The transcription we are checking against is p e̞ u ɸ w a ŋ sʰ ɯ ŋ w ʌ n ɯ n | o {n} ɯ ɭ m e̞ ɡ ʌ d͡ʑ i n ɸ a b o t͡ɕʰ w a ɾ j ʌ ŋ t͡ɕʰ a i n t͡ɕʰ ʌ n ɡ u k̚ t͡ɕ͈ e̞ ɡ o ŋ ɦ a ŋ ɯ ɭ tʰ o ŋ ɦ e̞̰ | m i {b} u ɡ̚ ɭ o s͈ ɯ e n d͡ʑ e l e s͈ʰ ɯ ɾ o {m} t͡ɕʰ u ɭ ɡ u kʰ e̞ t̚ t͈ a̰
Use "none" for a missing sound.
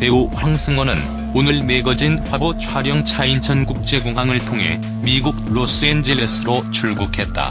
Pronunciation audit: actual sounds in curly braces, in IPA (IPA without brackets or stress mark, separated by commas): n, ɡ, none